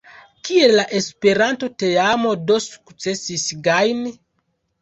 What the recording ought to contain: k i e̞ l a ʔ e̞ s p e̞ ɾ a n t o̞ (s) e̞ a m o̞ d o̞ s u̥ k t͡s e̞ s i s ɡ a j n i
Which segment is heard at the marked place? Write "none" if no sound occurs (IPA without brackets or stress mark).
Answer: t